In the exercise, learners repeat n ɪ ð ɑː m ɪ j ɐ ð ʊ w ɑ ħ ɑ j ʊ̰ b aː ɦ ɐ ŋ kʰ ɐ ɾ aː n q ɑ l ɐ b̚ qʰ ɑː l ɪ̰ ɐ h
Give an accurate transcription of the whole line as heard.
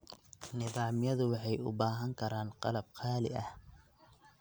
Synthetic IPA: n ɪ ð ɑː m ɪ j ɐ ð ʊ w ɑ ħ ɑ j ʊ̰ b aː ɦ ɐ ŋ kʰ ɐ ɾ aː n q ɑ l ɐ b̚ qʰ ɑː l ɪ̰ ɐ h

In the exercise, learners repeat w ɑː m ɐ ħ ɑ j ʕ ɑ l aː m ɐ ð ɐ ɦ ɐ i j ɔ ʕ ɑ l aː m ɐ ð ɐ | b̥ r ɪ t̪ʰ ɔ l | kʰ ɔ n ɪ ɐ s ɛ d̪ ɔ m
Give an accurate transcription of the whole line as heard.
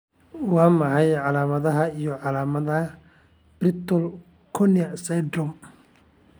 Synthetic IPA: w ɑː m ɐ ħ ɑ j ʕ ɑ l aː m ɐ ð ɐ ɦ ɐ i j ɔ ʕ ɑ l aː m ɐ ð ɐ | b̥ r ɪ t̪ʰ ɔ l | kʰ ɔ n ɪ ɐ s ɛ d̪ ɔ m

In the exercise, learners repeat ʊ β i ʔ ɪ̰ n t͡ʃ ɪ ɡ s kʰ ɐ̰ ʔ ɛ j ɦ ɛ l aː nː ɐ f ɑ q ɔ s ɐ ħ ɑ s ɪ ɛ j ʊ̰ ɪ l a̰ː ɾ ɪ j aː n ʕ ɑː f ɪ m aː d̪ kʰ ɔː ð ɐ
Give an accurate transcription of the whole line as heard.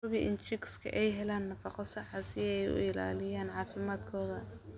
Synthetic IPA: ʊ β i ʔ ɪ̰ n t͡ʃ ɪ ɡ s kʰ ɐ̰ ʔ ɛ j ɦ ɛ l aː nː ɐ f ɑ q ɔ s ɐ ħ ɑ s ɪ ɛ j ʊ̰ ɪ l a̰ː l ɪ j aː n ʕ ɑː f ɪ m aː d̪ kʰ ɔː ð ɐ

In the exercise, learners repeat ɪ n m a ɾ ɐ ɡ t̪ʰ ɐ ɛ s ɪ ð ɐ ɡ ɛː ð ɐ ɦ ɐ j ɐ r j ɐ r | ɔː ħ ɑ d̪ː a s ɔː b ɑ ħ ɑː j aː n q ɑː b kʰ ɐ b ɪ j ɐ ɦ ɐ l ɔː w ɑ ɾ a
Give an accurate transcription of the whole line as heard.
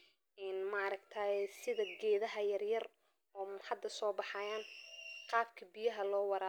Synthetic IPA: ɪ n m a ɾ ɐ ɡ t̪ʰ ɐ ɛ s ɪ ð ɐ ɡ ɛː ð ɐ ɦ ɐ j ɐ r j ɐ r | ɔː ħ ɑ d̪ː ɐ s ɔː b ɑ ħ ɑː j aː n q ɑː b kʰ ɐ b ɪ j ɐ ɦ ɐ l ɔː w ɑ ɾ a

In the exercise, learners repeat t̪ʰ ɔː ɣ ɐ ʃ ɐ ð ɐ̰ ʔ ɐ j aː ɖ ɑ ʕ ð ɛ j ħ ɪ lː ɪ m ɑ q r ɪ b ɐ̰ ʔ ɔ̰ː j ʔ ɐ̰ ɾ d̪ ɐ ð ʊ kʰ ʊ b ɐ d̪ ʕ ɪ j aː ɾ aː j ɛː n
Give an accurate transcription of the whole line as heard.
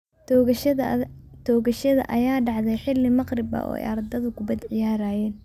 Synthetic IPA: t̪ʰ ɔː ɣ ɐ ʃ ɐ ð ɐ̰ ʔ ɐ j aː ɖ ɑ ʕ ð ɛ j ħ ɪ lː ɪ m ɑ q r ɪ b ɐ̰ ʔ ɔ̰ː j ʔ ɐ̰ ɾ d̪ ɐ ð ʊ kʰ ʊ b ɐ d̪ ʕ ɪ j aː ɾ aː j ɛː n

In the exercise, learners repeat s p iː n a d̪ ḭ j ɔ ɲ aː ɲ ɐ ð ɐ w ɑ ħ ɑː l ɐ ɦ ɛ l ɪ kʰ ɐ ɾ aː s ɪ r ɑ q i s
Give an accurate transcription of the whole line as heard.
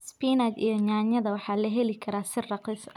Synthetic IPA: s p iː n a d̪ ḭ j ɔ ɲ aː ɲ ɐ ð ɐ w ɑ ħ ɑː l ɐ ɦ ɛ l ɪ kʰ ɐ ɾ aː s ɪ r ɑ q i s

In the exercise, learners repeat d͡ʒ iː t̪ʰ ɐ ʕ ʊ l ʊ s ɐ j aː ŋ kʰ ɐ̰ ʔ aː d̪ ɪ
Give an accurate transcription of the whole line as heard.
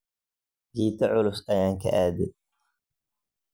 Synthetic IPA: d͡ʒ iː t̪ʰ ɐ ʕ ʊ l ʊ s ɐ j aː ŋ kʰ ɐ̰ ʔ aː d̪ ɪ

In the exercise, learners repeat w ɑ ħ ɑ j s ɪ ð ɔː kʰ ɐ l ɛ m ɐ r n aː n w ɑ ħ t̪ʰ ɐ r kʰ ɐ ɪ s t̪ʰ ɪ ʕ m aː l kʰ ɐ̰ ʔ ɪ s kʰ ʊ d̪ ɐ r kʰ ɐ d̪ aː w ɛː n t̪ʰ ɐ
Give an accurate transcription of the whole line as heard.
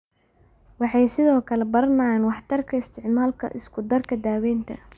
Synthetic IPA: w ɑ ħ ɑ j s ɪ ð ɔː kʰ ɐ l ɛ b ɐ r n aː n w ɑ ħ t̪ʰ ɐ r kʰ ɐ ɪ s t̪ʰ ɪ ʕ m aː l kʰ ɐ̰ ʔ ɪ s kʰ ʊ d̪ ɐ r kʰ ɐ d̪ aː w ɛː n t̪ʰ ɐ

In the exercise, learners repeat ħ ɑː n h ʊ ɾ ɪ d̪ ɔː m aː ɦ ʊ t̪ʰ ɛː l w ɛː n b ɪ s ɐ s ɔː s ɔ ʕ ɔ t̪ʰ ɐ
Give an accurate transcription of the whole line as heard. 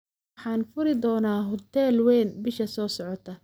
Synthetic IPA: ħ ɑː n f ʊ ɾ ɪ d̪ ɔː n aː ɦ ʊ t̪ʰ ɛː l w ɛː n b ɪ ʃ ɐ s ɔː s ɔ ʕ ɔ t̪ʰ ɐ

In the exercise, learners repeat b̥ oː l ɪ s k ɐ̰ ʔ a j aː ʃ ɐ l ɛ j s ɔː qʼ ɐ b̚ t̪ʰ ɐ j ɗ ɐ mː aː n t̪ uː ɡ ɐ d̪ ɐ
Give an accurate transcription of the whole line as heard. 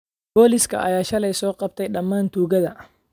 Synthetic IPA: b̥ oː l ɪ s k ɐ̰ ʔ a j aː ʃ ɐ l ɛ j s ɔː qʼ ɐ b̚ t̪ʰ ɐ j ɗ ɐ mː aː n t̪ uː ɡ ɐ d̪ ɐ

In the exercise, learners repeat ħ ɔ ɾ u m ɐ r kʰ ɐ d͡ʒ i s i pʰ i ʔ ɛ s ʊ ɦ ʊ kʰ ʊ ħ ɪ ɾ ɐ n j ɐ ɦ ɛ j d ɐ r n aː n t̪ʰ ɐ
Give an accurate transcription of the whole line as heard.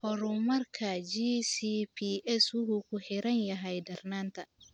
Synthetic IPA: h ɔ ɾ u m ɐ r kʰ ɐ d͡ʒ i s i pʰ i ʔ ɛ s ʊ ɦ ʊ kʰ ʊ ħ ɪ ɾ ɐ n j ɐ ɦ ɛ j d ɐ r n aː n t̪ʰ ɐ

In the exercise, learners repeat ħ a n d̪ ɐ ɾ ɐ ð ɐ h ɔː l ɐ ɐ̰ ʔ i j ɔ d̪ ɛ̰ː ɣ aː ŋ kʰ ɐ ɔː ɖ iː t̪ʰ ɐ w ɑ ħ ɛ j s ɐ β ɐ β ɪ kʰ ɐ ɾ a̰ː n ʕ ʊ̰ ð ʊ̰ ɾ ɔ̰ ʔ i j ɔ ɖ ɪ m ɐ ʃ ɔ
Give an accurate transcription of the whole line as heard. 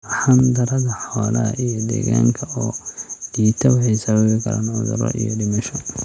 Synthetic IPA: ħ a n d̪ ɐ ɾ ɐ ð ɐ ħ ɔː l ɐ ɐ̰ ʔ i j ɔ d̪ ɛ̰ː ɣ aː ŋ kʰ ɐ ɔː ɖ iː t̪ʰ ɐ w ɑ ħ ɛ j s ɐ β ɐ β ɪ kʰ ɐ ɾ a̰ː n ʕ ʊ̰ ð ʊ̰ ɾ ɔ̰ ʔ i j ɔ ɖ ɪ m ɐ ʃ ɔ

